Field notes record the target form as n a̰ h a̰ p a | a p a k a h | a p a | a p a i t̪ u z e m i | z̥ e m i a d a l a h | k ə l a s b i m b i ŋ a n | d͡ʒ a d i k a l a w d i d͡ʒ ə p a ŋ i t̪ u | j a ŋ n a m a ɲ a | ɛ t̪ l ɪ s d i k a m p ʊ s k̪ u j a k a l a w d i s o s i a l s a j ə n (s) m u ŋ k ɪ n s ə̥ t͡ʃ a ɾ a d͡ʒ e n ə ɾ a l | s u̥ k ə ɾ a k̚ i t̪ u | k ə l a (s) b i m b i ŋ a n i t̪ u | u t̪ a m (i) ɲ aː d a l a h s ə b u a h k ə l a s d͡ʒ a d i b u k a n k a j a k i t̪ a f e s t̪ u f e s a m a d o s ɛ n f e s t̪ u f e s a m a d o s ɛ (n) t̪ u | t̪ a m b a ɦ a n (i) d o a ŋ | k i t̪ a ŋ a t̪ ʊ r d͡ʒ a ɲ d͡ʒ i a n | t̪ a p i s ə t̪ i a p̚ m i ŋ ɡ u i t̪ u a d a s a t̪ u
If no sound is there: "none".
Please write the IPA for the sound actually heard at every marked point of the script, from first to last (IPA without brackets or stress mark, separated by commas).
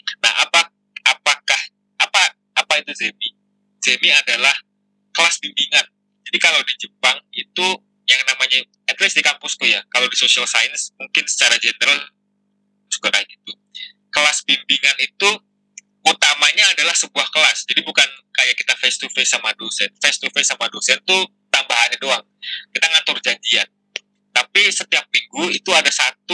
s, s, a, n, a